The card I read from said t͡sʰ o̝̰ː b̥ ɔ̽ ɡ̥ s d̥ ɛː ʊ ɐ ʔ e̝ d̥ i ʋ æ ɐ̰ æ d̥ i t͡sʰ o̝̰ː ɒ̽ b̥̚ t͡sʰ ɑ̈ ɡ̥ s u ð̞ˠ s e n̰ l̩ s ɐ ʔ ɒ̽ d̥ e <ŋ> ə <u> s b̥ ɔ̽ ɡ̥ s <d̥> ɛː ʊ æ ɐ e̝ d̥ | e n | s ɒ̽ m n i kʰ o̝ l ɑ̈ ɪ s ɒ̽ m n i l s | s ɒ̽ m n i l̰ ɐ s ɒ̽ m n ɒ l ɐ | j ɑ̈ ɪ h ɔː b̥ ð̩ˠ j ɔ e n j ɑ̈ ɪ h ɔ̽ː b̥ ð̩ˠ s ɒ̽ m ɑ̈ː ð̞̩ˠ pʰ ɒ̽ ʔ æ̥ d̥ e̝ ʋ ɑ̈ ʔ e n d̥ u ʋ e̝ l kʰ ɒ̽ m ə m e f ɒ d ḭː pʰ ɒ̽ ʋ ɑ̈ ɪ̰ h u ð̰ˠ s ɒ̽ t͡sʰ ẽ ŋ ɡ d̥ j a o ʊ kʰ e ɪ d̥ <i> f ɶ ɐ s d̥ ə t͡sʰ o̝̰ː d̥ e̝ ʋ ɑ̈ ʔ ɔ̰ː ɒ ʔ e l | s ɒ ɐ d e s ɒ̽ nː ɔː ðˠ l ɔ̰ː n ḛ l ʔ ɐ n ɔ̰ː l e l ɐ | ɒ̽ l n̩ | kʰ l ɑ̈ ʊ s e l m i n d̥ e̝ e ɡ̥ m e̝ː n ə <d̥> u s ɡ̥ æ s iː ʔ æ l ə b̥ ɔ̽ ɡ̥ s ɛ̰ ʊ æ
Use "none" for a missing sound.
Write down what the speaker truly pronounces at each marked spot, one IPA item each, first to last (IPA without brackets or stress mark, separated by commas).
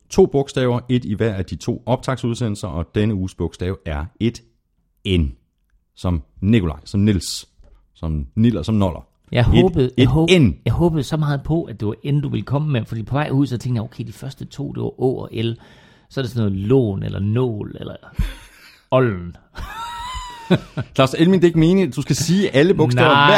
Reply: n, uː, d̥, i, d̥